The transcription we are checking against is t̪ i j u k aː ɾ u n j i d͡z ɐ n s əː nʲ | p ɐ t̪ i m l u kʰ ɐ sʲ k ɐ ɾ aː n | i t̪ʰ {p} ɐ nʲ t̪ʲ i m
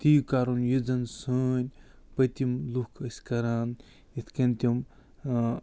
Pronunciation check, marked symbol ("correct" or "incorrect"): incorrect